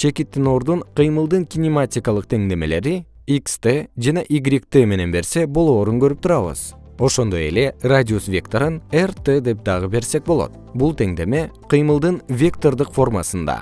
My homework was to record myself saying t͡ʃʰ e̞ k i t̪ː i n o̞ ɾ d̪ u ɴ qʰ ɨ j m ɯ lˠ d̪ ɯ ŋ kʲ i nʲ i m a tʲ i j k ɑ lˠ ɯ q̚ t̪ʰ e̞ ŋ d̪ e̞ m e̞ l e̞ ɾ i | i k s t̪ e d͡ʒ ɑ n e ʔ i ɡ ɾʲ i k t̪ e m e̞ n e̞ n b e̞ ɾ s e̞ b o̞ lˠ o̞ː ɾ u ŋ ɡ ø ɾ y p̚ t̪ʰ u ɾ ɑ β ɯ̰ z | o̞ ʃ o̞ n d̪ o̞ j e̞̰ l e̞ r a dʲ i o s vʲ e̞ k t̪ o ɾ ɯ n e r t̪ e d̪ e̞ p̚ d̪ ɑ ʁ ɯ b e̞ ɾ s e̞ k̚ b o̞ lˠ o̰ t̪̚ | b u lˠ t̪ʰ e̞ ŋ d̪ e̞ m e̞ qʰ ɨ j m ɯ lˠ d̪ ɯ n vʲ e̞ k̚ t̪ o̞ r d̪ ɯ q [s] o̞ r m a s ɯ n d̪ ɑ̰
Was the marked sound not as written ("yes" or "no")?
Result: yes